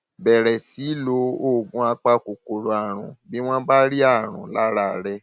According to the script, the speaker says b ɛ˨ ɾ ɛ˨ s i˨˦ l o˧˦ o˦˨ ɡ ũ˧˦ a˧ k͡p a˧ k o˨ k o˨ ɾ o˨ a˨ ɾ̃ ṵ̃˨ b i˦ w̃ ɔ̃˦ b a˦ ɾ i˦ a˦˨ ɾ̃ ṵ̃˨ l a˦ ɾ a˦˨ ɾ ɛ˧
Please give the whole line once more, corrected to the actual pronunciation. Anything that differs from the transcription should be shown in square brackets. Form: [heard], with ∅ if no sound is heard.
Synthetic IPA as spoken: b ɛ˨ ɾ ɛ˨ s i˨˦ l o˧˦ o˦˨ ɡ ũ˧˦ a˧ k͡p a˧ k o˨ k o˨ ɾ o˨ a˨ ɾ̃ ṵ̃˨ b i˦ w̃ ɔ̃˦ b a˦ ɾ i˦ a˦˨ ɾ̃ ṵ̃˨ l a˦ ɾ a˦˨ ɾ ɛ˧

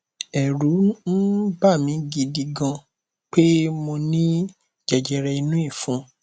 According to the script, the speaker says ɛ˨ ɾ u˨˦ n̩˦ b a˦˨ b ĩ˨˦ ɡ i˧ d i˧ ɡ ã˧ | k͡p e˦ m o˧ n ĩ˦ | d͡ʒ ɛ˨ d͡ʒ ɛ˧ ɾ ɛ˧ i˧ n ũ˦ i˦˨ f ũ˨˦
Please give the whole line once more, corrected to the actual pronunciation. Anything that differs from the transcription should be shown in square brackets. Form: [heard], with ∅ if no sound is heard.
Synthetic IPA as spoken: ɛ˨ ɾ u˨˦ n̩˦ b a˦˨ [m] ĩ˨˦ ɡ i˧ d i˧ ɡ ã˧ | k͡p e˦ m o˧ n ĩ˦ | d͡ʒ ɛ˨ d͡ʒ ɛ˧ ɾ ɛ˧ i˧ n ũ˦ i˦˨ f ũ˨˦

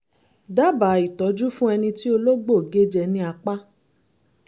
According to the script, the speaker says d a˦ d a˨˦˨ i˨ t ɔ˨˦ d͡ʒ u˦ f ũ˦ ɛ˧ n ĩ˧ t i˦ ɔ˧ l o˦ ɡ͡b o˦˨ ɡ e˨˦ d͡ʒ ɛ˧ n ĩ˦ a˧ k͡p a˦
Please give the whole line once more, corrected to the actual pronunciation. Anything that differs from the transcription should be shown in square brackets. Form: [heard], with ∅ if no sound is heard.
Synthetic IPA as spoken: d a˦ [b] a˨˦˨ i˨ t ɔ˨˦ d͡ʒ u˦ f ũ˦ ɛ˧ n ĩ˧ t i˦ [o˧] l o˦ ɡ͡b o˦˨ ɡ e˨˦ d͡ʒ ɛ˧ n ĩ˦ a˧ k͡p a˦

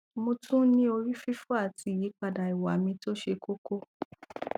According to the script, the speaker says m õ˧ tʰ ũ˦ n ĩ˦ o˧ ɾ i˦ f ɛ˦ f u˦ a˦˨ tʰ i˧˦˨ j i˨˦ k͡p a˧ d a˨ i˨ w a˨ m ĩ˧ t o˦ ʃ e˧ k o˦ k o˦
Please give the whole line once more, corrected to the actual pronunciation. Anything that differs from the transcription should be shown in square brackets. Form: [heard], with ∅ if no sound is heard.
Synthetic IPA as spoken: m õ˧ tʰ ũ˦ n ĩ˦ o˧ ɾ i˦ f [i˦] f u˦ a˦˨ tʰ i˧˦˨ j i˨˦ k͡p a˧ d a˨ i˨ w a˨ m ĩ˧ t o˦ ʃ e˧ k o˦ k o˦

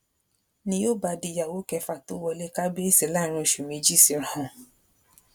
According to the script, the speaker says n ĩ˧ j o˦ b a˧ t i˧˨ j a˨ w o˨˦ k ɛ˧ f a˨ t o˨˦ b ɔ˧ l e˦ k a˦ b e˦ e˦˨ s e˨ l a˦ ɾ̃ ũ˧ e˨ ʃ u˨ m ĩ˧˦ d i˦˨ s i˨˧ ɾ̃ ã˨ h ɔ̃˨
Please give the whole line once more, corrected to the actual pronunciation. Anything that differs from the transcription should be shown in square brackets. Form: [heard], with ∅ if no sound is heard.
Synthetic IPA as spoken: n ĩ˧ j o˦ b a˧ [d] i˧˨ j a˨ w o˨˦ k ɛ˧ f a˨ t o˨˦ [w] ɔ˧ l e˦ k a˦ b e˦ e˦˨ s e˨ l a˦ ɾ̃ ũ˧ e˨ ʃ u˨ m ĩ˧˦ [d͡ʒ] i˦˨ s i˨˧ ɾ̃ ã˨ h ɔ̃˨

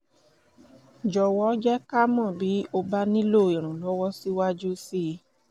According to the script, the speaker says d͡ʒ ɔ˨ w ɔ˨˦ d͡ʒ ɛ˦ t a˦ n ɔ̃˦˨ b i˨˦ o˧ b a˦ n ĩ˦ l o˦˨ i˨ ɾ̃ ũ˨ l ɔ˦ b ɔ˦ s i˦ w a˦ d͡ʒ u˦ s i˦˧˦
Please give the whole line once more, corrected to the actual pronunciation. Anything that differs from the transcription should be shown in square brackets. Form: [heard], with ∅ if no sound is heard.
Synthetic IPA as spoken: d͡ʒ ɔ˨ w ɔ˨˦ d͡ʒ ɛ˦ [k] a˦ [m] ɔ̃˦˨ b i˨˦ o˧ b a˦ n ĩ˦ l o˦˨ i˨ ɾ̃ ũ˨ l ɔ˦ [w] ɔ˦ s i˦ w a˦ d͡ʒ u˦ s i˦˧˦

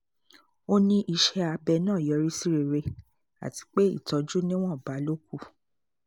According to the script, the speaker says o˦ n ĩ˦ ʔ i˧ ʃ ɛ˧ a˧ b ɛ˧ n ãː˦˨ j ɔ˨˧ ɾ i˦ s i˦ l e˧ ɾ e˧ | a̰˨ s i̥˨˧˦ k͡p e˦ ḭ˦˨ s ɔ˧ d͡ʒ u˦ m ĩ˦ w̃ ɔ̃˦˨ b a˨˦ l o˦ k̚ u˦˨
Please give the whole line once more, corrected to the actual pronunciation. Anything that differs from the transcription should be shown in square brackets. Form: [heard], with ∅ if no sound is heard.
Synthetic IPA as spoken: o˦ n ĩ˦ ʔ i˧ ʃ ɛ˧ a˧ b ɛ˧ n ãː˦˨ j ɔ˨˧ ɾ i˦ s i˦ [ɾ] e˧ ɾ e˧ | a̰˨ [t] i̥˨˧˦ k͡p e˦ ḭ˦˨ [t] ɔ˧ d͡ʒ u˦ [n] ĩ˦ w̃ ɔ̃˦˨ b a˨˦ l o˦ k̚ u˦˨

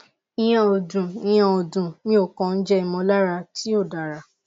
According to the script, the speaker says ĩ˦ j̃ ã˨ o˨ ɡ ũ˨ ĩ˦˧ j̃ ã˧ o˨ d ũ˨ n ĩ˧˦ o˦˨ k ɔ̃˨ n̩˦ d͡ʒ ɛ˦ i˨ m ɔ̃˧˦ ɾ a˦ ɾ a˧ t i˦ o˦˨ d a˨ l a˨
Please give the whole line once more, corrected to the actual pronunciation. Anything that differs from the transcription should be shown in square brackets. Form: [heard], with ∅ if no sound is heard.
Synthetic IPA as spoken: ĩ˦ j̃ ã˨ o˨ [d] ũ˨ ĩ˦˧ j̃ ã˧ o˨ d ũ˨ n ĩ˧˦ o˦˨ k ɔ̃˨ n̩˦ d͡ʒ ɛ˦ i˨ m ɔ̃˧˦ [l] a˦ ɾ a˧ t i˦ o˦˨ d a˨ [ɾ] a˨

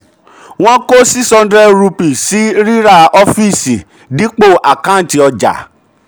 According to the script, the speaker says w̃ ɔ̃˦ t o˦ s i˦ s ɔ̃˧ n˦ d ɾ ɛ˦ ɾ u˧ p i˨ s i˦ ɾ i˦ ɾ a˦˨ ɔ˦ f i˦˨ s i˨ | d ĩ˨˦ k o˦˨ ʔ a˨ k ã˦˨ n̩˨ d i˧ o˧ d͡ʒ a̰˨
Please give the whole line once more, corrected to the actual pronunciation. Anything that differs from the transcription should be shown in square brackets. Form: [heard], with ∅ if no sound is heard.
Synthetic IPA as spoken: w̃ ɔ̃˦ [k] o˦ s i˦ s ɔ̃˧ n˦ d ɾ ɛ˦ ɾ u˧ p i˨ s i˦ ɾ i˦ ɾ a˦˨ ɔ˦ f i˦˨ s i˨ | d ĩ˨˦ [k͡p] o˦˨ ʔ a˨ k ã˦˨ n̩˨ [t] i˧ [ɔ˧] d͡ʒ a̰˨

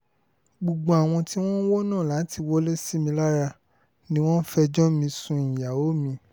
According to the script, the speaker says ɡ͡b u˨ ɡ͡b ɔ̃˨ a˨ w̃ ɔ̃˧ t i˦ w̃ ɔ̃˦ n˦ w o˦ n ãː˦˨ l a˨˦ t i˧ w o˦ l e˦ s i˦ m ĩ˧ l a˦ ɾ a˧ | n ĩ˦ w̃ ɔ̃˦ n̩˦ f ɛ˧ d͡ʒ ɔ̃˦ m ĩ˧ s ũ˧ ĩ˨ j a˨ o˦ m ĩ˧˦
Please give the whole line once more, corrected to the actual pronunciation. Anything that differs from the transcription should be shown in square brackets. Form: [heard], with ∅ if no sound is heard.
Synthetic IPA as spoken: ɡ͡b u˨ ɡ͡b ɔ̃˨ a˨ w̃ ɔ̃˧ t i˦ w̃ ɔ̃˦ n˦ w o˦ n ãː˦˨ l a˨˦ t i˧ w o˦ l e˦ s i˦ m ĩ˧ l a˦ ɾ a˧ | n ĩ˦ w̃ ɔ̃˦ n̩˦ f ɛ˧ d͡ʒ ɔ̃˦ m ĩ˧ s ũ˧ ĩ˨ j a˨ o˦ m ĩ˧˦

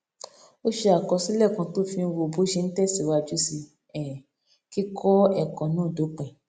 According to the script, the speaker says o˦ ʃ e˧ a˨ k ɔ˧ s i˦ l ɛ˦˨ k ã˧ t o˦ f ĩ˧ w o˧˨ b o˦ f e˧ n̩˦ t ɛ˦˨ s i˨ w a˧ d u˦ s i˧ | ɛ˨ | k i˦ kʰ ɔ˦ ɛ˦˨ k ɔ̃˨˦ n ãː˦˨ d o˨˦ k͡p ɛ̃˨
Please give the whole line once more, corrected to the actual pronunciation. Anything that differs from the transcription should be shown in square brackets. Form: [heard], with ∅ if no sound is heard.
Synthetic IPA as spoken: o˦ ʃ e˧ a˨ k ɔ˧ s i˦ l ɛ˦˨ k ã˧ t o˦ f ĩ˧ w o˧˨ b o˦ [ʃ] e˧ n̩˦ t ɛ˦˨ s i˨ w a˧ [d͡ʒ] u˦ s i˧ | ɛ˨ | k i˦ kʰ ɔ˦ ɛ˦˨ k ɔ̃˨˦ n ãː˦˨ d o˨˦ k͡p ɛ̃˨

